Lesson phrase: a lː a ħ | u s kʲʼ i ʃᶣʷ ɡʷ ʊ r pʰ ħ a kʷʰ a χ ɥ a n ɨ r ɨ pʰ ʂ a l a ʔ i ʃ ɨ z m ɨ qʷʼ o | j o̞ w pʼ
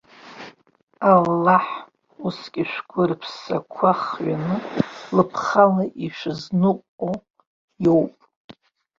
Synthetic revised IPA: a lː a ħ | u s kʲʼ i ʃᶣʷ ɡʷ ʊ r pʰ s a kʷʰ a χ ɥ a n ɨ l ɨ pʰ χ a l a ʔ i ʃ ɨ z n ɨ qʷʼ o | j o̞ w pʼ